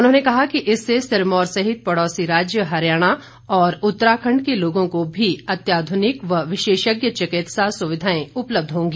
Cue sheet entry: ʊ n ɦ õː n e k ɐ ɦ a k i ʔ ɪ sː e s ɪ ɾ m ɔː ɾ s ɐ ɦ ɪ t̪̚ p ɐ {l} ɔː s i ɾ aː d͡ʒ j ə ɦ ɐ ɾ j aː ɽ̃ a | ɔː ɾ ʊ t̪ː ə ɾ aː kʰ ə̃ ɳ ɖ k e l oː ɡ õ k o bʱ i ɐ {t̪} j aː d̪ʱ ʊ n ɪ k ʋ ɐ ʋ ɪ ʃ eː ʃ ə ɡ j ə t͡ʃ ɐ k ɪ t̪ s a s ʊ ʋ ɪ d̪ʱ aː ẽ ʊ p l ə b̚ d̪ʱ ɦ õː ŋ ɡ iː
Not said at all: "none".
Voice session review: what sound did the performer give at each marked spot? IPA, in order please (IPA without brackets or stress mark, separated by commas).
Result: ɽ, t̪